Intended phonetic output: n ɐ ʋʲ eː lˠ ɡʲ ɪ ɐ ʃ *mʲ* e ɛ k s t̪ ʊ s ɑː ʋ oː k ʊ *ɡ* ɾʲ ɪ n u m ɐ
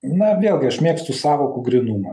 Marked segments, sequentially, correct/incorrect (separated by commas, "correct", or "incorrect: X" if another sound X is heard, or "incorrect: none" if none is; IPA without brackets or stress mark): correct, correct